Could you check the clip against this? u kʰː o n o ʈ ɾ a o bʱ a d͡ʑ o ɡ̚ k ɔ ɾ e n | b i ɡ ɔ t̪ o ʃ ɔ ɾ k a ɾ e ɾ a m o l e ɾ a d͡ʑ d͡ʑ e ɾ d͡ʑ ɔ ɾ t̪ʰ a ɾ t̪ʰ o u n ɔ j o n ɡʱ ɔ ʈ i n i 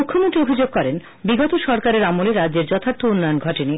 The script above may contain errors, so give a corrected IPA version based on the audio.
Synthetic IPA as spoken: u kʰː o m o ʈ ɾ i o bʱ i d͡ʑ o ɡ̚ k ɔ ɾ e n | b i ɡ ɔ t̪ o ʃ ɔ ɾ k a ɾ e ɾ a m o l e ɾ a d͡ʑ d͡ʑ e ɾ d͡ʑ ɔ t̪ʰ a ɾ t̪ʰ o u nː ɔ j o n ɡʱ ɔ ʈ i n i